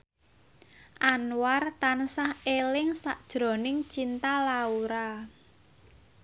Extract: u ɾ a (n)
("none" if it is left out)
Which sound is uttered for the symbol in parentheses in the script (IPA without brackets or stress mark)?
none